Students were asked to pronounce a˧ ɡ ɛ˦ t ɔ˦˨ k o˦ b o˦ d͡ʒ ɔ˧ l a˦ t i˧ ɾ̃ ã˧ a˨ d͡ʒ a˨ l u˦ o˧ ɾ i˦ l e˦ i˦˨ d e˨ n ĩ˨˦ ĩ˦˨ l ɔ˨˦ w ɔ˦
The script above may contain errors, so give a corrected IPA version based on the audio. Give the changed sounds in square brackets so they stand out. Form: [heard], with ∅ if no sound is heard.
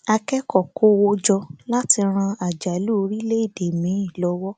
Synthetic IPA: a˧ [k] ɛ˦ [k] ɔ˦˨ k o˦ [w] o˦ d͡ʒ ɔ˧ l a˦ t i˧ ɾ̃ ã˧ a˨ d͡ʒ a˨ l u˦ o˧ ɾ i˦ l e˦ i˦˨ d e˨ [m] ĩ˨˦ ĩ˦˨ l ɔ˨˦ w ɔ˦